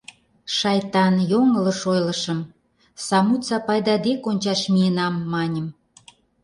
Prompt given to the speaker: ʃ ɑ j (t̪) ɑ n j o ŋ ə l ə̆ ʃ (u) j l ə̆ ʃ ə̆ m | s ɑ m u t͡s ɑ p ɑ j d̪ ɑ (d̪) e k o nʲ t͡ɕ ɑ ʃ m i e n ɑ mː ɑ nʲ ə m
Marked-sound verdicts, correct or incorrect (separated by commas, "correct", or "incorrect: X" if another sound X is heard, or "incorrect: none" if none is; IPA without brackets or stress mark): correct, incorrect: o, correct